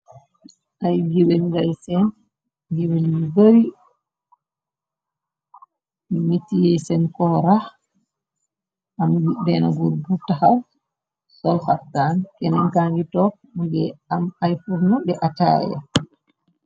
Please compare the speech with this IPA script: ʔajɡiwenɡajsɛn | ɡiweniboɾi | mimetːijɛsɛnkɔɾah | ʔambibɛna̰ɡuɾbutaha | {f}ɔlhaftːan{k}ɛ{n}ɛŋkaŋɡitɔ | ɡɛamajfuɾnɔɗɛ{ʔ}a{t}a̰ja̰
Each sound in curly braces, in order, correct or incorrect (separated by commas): incorrect, correct, correct, correct, correct